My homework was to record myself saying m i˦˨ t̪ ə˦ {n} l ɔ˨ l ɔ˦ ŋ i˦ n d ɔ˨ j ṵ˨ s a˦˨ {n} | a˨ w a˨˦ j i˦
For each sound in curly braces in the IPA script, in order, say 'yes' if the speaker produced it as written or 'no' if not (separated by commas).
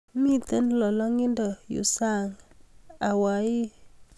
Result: yes, no